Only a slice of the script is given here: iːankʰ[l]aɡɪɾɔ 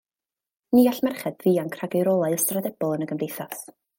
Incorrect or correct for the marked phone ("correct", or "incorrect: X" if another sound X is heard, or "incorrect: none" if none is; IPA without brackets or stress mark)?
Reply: incorrect: r